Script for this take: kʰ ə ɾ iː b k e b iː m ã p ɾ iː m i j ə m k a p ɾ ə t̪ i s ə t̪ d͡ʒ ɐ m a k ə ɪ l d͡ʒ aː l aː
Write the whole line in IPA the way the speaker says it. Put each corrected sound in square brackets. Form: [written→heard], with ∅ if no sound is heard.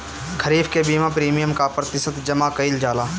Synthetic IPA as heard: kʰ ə ɾ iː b k e b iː m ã p ɾ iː m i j ə m k a p ɾ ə t̪ [i→ɪ] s ə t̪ d͡ʒ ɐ m a k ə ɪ l d͡ʒ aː l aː